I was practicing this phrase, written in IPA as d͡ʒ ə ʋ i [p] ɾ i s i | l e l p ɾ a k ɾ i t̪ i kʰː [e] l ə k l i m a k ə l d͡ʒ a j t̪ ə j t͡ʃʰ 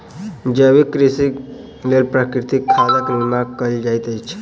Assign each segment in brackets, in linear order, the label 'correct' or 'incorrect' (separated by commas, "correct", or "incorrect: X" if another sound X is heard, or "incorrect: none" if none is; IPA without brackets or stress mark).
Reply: incorrect: k, incorrect: a